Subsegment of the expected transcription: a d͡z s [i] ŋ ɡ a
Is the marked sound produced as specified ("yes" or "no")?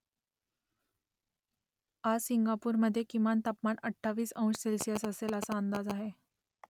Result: yes